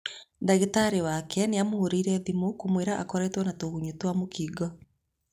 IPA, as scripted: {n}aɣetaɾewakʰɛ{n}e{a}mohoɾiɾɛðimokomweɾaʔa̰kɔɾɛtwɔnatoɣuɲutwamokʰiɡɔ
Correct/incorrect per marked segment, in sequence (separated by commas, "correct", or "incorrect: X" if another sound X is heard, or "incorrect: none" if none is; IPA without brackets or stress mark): incorrect: d, correct, correct